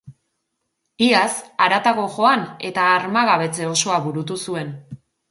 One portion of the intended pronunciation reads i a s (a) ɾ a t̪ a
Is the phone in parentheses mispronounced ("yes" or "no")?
no